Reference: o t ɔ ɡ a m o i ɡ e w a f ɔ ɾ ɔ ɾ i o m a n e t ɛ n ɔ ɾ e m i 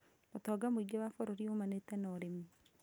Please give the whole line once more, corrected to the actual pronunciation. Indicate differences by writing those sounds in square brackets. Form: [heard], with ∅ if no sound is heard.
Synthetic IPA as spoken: o t ɔ ɡ a m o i ɡ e w a f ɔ ɾ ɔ ɾ i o m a n e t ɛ n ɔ ɾ e m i